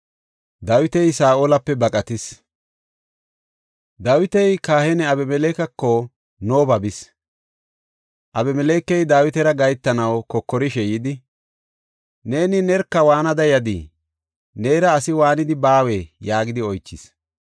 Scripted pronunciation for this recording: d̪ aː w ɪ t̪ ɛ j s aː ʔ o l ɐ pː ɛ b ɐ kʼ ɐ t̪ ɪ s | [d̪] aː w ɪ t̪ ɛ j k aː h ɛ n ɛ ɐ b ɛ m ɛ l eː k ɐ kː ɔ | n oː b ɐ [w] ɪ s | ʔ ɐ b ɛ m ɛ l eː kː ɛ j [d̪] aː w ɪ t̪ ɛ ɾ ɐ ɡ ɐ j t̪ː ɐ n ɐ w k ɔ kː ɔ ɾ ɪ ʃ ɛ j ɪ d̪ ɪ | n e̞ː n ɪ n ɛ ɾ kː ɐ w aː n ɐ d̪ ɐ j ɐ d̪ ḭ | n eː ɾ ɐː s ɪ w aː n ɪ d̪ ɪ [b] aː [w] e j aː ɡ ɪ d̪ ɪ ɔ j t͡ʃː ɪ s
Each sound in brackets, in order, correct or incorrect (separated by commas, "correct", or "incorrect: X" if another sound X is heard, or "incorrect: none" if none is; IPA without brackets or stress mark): correct, incorrect: b, correct, correct, correct